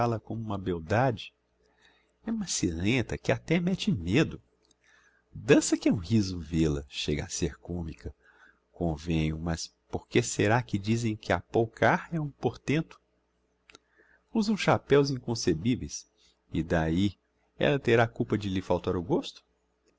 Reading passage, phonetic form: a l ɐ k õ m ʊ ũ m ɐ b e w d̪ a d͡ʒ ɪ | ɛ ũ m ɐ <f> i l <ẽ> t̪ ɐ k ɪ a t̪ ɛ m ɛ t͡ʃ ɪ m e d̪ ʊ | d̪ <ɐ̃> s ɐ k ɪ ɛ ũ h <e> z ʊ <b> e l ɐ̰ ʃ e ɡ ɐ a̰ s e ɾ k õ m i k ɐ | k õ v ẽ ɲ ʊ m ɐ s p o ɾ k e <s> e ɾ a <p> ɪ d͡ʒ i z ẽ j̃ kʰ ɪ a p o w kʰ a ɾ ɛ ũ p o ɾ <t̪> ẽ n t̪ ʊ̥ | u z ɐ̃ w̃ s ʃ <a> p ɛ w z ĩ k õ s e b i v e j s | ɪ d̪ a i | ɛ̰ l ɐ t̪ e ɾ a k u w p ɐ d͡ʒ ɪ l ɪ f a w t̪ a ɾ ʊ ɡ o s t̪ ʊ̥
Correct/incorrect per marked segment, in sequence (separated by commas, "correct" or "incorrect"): incorrect, correct, correct, incorrect, incorrect, correct, incorrect, correct, correct